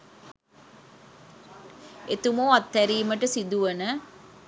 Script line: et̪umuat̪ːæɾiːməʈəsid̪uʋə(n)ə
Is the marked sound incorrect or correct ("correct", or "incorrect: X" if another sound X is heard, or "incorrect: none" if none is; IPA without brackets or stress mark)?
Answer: correct